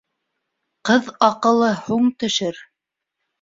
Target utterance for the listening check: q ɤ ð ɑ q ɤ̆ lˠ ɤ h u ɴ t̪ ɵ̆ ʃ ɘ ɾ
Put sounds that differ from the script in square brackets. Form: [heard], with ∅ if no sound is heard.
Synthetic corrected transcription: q ɤ ð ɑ q ɤ̆ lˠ ɤ h u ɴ t̪ ɵ̆ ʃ ɘ ɾ

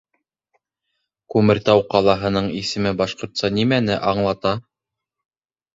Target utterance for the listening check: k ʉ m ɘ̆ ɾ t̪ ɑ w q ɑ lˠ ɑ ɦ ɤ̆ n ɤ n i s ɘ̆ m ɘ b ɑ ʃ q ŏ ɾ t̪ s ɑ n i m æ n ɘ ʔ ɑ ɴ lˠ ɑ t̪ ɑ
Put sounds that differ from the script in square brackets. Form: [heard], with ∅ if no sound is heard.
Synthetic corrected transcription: k ʉ m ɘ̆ ɾ t̪ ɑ w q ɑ lˠ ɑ ɦ ɤ̆ n ɤ [ɴ] i s ɘ̆ m ɘ b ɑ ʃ q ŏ ɾ t̪ s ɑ n i m æ n ɘ ʔ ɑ ɴ lˠ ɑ t̪ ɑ

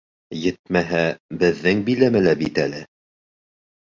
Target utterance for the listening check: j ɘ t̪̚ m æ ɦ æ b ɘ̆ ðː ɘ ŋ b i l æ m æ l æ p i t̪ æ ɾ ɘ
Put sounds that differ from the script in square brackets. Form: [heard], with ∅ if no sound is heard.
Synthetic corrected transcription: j ɘ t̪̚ m æ ɦ æ b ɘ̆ ðː ɘ ŋ b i l æ m æ l æ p i t̪ æ [l] ɘ

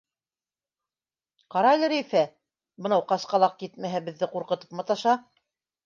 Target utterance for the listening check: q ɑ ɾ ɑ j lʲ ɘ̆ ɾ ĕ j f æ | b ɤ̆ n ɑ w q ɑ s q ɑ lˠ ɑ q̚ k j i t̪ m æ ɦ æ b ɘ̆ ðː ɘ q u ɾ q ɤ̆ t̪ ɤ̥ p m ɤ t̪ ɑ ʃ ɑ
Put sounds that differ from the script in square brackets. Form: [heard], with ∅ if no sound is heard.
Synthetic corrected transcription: q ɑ ɾ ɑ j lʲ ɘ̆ ɾ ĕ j f æ | b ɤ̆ n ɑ w q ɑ s q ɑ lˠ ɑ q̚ k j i t̪ m æ ɦ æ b ɘ̆ ðː ɘ q u ɾ q ɤ̆ t̪ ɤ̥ p m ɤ t̪ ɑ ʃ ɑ

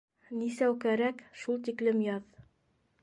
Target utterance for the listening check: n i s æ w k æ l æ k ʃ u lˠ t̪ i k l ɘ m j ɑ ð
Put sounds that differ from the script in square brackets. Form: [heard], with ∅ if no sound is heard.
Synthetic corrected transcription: n i s æ w k æ [ɾ] æ k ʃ u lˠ t̪ i k l ɘ m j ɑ ð

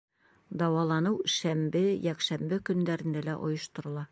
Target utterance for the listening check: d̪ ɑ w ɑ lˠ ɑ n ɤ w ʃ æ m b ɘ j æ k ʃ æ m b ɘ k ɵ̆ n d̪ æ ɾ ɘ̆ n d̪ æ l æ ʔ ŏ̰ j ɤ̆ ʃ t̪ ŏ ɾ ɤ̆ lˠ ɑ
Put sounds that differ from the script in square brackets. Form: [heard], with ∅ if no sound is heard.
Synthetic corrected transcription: d̪ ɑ w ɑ lˠ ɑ n ɤ w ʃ æ m b ɘ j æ k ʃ æ m b ɘ k ɵ̆ n d̪ æ ɾ ɘ̆ n d̪ æ l æ ʔ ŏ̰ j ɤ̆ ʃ t̪ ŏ ɾ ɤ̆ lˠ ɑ

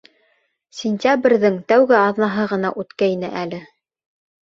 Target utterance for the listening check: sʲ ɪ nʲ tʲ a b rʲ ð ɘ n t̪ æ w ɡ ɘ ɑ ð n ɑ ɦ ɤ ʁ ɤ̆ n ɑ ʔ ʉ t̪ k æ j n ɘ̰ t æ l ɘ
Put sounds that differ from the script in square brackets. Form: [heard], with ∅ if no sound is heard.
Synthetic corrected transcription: sʲ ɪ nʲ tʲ a b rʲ ð ɘ [ŋ] t̪ æ w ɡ ɘ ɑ ð n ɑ ɦ ɤ ʁ ɤ̆ n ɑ ʔ ʉ t̪ k æ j n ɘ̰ [ʔ] æ l ɘ

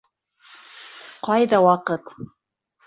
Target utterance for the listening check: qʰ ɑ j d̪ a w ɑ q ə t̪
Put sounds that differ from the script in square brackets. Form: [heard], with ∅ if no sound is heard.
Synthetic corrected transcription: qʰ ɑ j d̪ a w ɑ q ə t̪

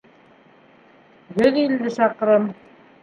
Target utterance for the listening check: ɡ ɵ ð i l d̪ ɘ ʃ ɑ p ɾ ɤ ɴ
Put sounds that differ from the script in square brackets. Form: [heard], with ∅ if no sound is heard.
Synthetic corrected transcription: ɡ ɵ ð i l d̪ ɘ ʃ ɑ [q] ɾ ɤ [m]

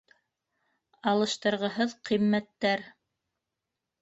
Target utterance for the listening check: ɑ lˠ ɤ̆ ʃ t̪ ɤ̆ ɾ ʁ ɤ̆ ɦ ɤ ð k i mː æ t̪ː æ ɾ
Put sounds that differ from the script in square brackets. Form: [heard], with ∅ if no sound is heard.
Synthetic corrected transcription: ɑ lˠ ɤ̆ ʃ t̪ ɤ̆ ɾ ʁ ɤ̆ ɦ ɤ ð [q] i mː æ t̪ː æ ɾ

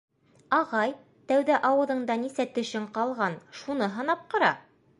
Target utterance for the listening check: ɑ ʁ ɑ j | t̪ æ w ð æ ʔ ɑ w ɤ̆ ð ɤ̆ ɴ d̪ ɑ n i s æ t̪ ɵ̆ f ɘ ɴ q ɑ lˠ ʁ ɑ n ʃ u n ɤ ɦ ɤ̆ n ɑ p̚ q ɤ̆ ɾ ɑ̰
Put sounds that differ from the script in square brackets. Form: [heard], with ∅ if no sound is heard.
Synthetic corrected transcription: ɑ ʁ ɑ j | t̪ æ w ð æ ʔ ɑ w ɤ̆ ð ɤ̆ ɴ d̪ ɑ n i s æ t̪ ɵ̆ [ʃ] ɘ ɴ q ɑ lˠ ʁ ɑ n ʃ u n ɤ ɦ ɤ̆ n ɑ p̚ q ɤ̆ ɾ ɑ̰

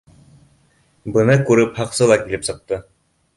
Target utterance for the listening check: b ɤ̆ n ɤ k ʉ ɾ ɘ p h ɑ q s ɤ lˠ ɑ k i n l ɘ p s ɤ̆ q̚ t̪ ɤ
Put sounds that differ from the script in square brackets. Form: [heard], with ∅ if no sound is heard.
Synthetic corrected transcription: b ɤ̆ n ɤ k ʉ ɾ ɘ p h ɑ q s ɤ lˠ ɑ k i [∅] l ɘ p s ɤ̆ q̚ t̪ ɤ

